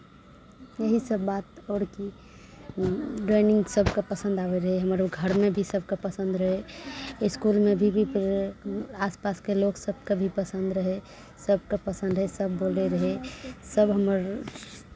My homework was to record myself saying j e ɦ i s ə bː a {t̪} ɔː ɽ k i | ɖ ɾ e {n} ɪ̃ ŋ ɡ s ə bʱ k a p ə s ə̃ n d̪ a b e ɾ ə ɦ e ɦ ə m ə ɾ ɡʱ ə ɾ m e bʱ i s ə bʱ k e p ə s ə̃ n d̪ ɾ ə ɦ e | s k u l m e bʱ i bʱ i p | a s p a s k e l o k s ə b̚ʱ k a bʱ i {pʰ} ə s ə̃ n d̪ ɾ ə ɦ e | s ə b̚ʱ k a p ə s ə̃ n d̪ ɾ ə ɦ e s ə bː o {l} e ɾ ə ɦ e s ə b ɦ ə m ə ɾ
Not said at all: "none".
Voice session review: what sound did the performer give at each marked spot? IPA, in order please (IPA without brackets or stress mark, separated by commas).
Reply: t̪, n, p, l